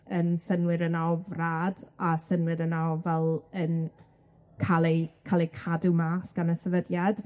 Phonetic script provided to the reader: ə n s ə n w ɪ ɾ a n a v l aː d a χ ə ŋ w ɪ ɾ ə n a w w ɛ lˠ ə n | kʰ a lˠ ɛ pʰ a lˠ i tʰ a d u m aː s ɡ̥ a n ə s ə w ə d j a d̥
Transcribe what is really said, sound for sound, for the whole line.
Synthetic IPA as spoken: ə n s ə n w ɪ ɾ ə n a v r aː d a s ə n w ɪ ɾ ə n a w v ɛ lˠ ə n | kʰ a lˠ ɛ kʰ a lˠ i kʰ a d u m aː s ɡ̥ a n ə s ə v ə d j a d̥